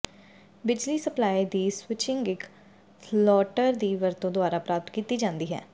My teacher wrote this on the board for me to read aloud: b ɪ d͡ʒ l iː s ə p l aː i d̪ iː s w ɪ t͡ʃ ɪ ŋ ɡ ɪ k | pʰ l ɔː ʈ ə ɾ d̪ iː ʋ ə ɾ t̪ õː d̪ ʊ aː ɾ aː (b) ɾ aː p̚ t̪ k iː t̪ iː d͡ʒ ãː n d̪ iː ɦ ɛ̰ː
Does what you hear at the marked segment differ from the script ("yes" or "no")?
yes